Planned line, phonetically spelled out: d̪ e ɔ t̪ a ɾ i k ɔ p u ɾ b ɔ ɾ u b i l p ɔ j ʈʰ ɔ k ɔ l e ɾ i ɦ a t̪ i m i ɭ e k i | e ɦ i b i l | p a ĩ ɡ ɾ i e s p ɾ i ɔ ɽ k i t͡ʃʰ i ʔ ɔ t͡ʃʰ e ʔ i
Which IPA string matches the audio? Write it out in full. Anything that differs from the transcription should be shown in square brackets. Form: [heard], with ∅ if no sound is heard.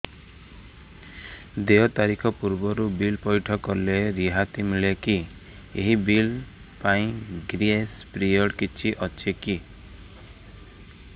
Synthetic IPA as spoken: d̪ e ɔ t̪ a ɾ i [kʰ] ɔ p u ɾ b ɔ ɾ u b i l p ɔ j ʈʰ ɔ k ɔ l e ɾ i ɦ a t̪ i m i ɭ e k i | e ɦ i b i l | p a ĩ ɡ ɾ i e s p ɾ i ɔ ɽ k i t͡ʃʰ i ʔ ɔ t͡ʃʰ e [k] i